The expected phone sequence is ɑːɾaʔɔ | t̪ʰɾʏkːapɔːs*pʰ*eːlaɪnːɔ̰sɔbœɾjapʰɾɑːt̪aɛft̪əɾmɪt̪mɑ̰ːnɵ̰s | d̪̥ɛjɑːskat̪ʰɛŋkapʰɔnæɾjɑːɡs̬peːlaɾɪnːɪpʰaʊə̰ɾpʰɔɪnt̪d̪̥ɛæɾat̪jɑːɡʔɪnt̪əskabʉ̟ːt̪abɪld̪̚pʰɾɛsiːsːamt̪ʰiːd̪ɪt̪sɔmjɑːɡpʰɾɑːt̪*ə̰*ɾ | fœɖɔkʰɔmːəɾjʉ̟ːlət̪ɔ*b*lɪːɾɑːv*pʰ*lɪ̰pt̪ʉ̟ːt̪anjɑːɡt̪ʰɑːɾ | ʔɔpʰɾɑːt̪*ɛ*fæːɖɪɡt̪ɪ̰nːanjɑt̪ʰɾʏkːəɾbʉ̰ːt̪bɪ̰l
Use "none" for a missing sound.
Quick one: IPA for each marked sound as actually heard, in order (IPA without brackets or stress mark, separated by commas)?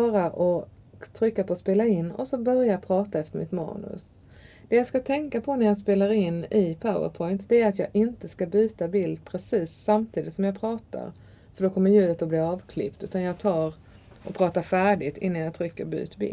p, a̰, b, kʰ, a